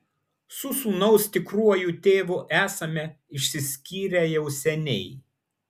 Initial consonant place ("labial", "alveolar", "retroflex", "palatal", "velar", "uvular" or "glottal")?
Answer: alveolar